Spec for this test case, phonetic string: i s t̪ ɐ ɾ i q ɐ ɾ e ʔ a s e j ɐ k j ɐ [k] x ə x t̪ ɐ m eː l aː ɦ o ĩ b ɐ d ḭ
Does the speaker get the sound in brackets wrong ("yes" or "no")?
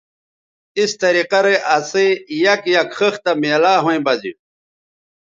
no